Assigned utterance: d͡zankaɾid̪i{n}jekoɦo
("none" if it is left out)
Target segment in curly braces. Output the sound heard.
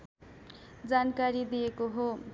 none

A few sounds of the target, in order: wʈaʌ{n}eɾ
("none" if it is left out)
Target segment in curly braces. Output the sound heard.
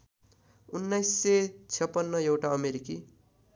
m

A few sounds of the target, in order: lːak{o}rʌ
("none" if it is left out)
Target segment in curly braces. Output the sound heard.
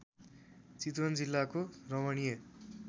o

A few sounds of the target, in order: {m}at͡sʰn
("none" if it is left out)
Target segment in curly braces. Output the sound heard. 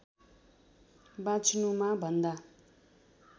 b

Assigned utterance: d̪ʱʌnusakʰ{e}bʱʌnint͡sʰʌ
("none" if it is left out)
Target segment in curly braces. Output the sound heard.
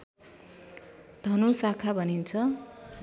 a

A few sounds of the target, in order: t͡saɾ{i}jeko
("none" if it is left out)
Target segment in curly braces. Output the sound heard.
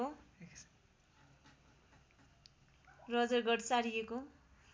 i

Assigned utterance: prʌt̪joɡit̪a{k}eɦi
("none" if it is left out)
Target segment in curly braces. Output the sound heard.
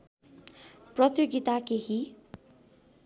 k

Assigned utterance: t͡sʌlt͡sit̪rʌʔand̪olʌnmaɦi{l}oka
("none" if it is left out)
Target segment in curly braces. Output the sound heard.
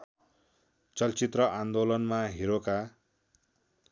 ɾ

